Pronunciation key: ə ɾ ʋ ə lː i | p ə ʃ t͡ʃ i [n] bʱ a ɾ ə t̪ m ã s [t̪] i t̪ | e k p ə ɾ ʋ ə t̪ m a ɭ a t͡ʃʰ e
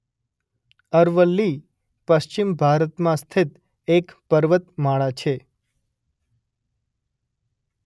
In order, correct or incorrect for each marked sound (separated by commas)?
incorrect, incorrect